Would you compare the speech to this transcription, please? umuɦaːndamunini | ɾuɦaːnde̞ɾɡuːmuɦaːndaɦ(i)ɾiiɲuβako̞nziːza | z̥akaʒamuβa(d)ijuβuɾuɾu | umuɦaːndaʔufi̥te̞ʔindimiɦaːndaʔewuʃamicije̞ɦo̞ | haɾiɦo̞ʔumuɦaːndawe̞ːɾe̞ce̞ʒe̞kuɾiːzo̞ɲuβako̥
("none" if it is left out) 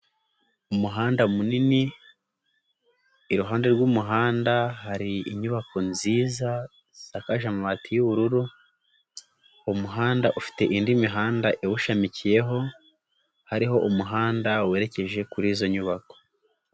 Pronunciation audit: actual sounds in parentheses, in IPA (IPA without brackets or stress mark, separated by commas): a, t